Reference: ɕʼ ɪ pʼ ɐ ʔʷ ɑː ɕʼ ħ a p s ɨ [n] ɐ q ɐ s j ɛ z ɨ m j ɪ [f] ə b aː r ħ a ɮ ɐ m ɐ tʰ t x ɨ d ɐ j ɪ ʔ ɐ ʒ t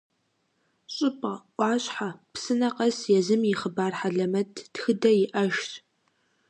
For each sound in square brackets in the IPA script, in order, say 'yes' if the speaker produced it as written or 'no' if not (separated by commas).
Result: yes, no